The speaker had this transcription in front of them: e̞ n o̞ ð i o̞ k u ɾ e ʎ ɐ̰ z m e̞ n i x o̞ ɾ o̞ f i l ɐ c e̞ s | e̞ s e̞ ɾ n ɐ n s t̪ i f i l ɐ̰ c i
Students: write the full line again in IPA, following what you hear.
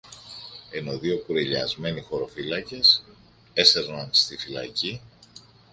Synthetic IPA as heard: e̞ n o̞ ð i o̞ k u ɾ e ʎ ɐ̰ z m e̞ n i x o̞ ɾ o̞ f i l ɐ c e̞ s | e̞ s e̞ ɾ n ɐ n s t̪ i f i l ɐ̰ c i